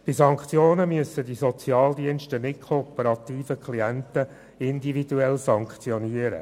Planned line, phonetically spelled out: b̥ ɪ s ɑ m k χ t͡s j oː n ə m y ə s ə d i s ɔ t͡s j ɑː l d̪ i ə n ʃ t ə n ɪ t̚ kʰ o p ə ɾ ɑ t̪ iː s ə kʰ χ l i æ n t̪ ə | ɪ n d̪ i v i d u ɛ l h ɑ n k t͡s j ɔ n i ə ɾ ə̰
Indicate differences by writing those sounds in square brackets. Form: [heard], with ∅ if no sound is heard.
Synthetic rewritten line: b̥ ɪ s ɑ [ŋ] k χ t͡s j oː n ə m y ə s ə d i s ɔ t͡s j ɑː l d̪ i ə n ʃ t ə n ɪ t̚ kʰ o p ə ɾ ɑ t̪ iː [f] ə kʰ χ l i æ n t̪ ə | ɪ n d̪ i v i d u ɛ l [s] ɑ [ŋ] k t͡s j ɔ n i ə ɾ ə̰